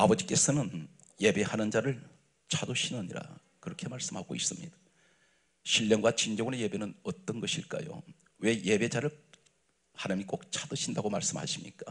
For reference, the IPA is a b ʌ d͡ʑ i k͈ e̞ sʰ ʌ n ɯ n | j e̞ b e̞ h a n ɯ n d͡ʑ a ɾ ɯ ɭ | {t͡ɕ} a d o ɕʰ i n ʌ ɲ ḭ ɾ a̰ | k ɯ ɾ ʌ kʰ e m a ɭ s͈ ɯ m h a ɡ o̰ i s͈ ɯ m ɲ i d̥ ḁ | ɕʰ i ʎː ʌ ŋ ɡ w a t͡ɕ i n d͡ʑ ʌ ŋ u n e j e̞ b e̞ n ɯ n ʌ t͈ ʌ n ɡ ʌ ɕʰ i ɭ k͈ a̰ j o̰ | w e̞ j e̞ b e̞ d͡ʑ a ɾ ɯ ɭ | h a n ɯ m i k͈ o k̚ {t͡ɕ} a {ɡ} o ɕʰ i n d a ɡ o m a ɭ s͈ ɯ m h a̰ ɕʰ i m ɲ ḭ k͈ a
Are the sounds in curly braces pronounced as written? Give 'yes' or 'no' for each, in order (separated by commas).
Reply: no, no, no